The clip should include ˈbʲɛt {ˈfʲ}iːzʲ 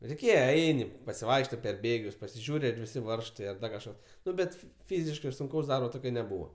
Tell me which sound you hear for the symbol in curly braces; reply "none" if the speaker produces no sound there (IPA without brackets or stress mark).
fʲ